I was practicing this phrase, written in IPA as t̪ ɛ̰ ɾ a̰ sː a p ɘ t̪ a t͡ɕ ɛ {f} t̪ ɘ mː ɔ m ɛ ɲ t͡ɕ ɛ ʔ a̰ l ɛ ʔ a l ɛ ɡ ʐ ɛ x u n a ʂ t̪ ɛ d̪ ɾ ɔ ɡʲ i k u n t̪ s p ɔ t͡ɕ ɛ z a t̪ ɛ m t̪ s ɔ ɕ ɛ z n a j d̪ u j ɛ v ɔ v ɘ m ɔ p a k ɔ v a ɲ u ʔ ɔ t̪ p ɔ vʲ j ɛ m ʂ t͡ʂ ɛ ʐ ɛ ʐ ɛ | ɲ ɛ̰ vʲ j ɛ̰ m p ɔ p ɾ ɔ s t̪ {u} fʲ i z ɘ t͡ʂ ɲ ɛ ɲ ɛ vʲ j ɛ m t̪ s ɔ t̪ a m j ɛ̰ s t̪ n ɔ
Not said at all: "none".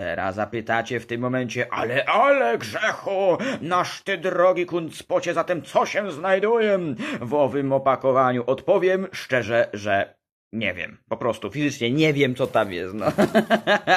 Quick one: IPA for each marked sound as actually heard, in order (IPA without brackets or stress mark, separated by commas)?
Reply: f, u